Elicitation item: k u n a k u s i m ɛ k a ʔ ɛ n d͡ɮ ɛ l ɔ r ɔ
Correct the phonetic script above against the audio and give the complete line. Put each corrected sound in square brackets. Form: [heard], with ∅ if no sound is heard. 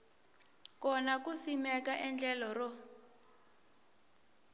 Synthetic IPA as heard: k [ɔ] n a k u s i m ɛ k a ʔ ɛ n d͡ɮ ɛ l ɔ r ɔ